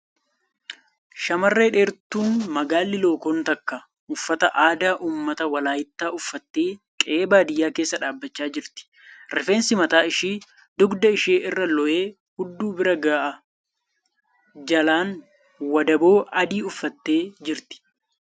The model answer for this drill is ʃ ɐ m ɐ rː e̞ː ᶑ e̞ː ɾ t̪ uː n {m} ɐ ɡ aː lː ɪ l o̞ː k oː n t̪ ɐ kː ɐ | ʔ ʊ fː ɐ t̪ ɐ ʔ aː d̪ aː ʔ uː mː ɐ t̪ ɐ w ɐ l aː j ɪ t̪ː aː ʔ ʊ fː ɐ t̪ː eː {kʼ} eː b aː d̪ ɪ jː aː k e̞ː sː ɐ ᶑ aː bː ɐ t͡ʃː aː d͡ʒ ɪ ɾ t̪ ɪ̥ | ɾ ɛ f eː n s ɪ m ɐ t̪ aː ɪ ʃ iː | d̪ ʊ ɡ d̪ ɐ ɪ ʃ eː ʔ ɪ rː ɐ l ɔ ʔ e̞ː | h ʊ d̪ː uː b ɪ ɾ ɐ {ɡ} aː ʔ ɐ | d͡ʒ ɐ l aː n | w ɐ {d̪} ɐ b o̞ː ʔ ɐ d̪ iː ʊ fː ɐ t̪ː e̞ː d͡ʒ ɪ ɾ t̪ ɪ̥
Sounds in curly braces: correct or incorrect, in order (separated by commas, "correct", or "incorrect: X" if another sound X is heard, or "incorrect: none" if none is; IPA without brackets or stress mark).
correct, correct, correct, correct